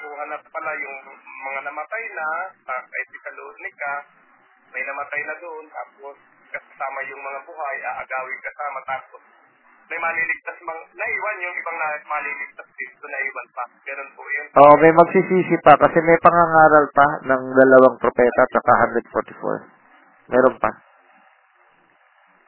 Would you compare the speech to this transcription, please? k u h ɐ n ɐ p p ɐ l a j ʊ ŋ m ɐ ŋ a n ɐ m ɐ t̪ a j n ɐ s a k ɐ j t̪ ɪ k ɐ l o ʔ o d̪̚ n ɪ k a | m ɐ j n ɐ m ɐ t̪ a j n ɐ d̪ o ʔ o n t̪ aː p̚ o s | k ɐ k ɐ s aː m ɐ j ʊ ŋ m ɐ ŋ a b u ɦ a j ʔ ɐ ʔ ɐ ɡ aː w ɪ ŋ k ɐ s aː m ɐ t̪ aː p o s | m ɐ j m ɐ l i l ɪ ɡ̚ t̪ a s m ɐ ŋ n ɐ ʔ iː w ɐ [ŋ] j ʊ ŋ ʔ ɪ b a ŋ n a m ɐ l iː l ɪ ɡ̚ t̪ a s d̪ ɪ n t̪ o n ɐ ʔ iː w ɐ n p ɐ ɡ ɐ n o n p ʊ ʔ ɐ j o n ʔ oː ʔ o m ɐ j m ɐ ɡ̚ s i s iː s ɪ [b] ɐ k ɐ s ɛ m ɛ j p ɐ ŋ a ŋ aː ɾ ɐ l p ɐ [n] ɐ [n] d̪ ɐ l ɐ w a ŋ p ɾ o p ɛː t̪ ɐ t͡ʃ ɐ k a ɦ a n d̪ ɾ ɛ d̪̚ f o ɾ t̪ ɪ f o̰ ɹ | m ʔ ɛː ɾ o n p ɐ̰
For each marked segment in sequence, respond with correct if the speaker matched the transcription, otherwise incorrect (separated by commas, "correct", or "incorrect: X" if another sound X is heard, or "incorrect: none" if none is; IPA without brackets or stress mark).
incorrect: n, incorrect: p, correct, incorrect: ŋ